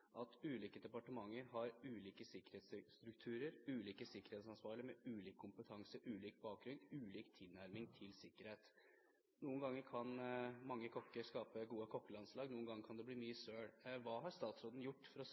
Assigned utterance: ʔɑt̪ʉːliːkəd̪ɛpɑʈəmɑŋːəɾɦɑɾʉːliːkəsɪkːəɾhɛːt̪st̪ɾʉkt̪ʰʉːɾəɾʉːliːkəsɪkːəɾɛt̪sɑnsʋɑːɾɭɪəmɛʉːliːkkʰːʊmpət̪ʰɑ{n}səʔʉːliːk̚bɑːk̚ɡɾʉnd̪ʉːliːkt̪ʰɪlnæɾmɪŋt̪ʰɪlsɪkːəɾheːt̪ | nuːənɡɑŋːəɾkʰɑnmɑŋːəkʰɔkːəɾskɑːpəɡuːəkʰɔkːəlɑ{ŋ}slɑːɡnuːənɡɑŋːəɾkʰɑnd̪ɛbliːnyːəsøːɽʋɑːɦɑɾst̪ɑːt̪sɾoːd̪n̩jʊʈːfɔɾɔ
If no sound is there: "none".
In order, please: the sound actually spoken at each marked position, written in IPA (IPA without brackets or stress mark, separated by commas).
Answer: ŋ, n